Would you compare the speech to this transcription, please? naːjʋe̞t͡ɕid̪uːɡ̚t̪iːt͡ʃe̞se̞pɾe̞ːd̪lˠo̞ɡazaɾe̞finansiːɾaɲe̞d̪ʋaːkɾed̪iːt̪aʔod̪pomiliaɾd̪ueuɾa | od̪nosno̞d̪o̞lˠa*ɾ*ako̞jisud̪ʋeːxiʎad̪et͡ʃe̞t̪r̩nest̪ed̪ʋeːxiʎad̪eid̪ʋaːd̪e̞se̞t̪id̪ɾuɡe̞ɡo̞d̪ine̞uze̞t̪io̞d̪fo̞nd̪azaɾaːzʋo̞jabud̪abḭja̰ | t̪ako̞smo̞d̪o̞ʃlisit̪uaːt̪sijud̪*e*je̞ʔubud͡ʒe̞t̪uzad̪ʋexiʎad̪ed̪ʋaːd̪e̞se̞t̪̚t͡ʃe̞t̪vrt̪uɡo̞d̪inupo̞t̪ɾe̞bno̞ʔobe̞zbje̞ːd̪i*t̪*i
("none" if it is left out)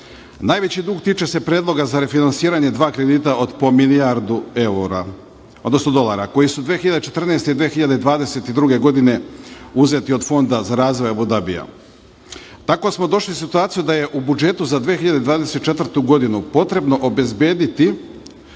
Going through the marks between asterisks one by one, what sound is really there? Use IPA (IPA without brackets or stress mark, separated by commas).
ɾ, a, t̪